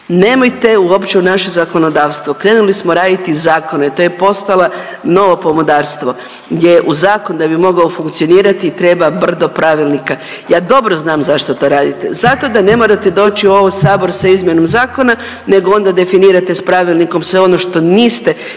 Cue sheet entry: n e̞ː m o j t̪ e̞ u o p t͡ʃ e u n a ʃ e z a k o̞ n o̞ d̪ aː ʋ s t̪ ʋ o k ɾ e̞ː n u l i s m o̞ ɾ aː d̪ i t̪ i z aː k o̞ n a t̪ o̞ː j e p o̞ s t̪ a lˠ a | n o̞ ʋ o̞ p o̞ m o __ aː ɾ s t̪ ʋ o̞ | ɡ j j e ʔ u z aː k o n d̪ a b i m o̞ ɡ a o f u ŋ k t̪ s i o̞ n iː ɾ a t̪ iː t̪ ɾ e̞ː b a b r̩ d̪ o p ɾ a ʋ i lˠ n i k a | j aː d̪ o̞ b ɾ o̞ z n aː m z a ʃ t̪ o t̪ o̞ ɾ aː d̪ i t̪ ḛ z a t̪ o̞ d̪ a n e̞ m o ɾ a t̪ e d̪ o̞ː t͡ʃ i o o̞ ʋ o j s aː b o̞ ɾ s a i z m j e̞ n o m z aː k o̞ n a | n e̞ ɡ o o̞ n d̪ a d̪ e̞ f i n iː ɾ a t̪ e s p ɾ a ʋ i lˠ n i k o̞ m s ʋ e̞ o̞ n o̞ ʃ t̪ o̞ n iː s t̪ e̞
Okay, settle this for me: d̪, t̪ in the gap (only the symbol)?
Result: d̪